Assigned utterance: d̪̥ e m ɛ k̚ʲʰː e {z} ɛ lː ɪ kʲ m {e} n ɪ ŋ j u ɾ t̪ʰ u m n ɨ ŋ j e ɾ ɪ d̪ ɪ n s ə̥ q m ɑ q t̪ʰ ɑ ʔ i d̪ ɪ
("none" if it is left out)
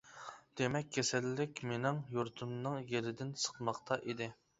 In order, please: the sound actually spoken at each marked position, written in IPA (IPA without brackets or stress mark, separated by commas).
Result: s, e